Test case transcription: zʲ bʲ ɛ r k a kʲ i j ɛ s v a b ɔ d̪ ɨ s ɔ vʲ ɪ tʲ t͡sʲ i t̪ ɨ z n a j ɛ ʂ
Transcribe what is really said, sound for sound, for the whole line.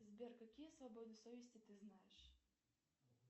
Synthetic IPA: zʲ bʲ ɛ r k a kʲ i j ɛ s v a b ɔ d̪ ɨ s ɔ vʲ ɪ sʲ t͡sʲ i t̪ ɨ z n a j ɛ ʂ